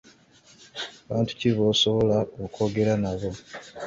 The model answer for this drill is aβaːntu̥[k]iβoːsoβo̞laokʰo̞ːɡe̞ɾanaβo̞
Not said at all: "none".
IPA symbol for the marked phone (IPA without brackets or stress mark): c